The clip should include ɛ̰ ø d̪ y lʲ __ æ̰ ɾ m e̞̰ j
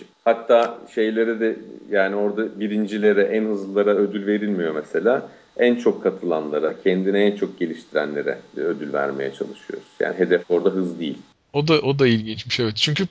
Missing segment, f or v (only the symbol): v